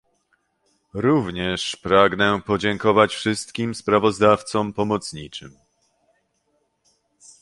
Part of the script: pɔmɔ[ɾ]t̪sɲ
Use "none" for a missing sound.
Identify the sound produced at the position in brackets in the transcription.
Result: none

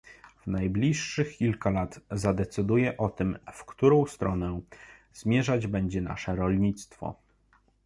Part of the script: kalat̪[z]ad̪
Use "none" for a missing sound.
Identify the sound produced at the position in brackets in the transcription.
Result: z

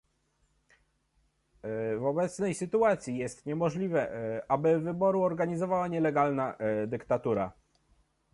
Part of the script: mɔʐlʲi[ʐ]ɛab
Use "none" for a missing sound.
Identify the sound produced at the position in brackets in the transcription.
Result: v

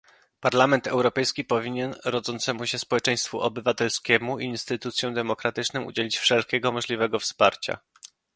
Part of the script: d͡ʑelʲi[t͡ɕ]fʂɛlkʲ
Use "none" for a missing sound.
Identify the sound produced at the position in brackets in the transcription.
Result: t͡ɕ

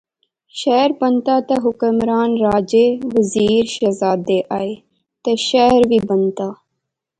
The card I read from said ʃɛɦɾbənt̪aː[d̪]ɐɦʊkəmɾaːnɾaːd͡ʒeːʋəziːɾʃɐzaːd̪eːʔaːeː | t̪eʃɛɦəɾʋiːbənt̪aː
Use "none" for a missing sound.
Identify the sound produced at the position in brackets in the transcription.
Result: t̪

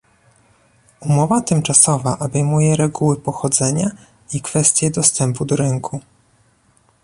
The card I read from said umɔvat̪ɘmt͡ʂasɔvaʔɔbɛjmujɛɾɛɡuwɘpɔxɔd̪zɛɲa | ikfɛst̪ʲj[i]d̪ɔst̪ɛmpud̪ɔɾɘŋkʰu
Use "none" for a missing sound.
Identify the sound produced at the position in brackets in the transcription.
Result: ɛ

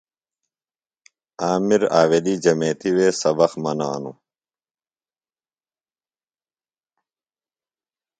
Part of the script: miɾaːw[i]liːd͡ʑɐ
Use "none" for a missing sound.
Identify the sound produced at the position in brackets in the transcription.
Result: e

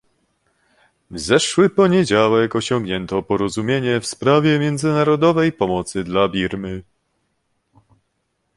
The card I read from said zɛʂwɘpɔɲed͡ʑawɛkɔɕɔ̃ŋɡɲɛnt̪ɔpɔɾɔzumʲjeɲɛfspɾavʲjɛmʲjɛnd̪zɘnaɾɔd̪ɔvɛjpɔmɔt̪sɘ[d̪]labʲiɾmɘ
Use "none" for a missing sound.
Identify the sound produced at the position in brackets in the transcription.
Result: d̪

